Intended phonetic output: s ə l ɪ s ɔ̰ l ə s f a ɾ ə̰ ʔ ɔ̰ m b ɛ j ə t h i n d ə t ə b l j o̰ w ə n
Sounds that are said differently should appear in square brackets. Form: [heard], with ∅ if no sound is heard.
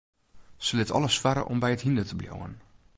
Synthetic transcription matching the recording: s ə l ɪ [t] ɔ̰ l ə s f a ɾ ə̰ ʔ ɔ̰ m b ɛ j ə t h i n d ə t ə b l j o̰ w ə n